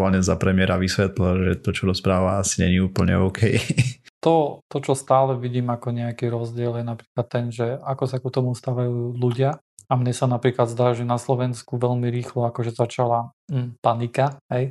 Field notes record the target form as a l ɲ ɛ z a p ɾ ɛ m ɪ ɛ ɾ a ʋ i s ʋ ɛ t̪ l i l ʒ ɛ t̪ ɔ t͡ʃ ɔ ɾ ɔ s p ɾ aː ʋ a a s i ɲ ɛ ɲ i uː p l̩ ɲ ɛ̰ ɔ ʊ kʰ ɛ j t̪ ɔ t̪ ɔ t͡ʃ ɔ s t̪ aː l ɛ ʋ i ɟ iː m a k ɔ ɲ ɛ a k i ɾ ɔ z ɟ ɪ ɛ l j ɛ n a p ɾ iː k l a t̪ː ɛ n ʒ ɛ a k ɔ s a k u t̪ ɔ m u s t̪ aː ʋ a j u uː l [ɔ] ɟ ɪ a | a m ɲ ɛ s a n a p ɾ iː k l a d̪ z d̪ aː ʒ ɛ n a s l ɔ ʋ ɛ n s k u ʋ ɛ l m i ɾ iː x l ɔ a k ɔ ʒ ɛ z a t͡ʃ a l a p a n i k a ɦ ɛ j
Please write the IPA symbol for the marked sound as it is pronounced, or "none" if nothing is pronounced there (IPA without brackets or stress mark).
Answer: u